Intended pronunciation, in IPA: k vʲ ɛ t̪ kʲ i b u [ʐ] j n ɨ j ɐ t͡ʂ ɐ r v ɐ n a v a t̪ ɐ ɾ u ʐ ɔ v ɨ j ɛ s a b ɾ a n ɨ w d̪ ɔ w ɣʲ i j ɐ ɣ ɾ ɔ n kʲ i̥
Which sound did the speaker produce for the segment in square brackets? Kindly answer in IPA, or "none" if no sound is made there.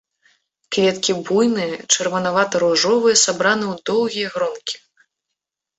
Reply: none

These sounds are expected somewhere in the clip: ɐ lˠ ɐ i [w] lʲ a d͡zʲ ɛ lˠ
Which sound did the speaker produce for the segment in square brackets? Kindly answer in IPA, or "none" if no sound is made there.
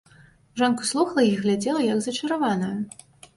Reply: ɣ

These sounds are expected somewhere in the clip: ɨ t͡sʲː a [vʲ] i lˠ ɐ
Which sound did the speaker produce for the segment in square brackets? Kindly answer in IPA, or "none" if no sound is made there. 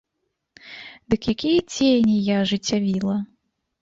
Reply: vʲ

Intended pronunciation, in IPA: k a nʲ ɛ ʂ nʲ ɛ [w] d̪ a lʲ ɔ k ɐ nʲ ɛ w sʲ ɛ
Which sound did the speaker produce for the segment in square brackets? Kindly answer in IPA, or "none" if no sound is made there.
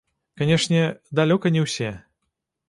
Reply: none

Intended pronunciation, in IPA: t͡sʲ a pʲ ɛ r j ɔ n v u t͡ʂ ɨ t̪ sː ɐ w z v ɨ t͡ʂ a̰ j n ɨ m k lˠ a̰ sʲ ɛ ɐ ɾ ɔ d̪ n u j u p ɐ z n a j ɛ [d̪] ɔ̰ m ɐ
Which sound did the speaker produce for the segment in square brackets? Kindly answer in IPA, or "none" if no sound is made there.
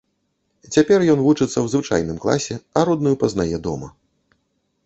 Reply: d̪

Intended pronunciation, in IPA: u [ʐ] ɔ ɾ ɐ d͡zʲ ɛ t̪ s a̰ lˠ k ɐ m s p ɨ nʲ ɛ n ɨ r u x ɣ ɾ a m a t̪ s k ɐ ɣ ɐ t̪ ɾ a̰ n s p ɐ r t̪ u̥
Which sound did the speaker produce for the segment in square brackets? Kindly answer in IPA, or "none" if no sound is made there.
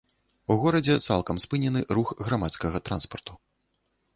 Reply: ɣ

